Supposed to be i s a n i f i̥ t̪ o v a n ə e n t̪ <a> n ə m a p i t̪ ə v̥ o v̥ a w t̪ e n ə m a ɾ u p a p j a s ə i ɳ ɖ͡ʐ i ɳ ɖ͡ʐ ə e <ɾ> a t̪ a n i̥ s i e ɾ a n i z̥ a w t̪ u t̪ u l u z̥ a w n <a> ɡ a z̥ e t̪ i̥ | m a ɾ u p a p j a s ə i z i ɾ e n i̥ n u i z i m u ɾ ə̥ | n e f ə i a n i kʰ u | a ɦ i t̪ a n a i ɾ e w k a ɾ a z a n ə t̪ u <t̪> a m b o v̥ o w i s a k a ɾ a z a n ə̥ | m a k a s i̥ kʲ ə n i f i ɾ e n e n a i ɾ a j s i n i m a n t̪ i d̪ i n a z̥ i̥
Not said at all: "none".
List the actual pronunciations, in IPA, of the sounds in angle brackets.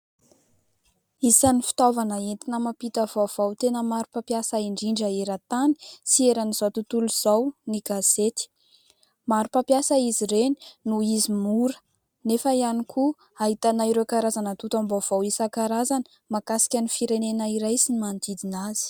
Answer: i, ɾ, i, t̪

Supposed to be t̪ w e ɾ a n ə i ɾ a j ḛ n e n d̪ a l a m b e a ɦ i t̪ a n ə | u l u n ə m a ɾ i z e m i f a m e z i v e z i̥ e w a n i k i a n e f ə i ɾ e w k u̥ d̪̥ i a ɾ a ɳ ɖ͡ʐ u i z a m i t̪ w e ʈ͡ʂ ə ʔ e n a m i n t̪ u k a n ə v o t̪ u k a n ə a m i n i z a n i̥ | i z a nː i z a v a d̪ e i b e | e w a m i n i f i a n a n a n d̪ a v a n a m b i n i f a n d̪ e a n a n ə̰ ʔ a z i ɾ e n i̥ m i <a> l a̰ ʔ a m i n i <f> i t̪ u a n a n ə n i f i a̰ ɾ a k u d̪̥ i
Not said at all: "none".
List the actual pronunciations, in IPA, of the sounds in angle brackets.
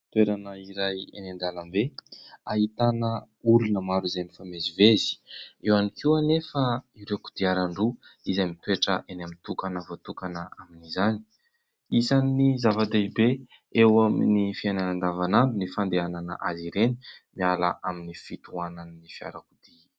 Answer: a, f

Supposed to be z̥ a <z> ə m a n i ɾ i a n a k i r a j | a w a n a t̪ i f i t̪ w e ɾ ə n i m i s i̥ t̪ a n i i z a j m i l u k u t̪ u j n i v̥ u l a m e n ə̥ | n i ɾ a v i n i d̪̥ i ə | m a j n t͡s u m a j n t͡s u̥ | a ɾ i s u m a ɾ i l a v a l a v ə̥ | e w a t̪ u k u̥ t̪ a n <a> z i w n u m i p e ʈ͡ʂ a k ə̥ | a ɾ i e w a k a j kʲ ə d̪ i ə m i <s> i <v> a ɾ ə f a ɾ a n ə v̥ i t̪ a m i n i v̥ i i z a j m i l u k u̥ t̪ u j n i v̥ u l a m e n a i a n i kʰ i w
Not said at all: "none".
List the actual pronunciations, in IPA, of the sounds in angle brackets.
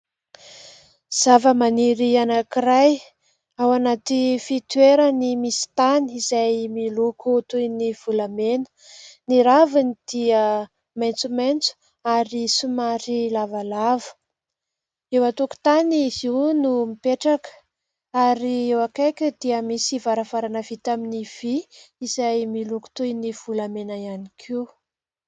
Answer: v, i, s, v

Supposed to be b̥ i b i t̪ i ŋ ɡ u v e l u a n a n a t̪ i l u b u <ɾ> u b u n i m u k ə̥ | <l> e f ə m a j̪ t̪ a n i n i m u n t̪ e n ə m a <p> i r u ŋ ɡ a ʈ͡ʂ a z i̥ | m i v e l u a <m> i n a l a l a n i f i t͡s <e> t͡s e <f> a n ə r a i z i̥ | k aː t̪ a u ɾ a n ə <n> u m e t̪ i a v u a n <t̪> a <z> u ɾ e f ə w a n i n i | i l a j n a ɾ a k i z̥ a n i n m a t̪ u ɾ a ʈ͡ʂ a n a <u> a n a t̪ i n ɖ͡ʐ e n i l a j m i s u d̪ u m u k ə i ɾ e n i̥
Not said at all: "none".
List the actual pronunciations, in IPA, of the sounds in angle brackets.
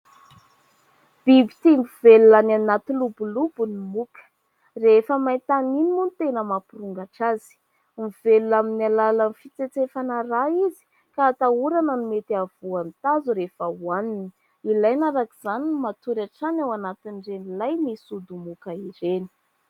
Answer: l, r, p, m, e, f, n, t̪, z, w

